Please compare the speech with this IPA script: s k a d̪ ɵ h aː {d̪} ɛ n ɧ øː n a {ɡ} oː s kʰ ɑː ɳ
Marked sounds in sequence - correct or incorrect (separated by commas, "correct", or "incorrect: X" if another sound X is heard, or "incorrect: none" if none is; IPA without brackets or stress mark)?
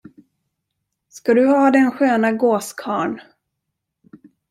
correct, correct